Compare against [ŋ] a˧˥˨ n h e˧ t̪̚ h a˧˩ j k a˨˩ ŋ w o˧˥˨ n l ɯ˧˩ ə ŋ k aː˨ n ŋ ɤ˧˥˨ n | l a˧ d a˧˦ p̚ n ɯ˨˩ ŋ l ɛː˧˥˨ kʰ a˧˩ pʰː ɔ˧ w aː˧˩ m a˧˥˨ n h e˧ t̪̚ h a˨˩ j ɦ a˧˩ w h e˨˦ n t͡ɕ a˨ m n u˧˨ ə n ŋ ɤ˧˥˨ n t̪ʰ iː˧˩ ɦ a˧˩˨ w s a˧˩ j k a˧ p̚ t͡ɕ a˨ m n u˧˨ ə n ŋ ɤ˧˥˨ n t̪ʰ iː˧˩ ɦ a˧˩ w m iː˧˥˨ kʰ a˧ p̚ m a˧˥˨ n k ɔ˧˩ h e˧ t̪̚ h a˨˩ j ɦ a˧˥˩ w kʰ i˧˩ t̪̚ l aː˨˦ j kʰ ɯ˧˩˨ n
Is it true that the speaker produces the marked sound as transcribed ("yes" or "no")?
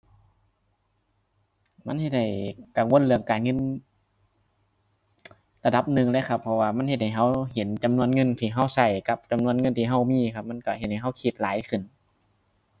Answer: no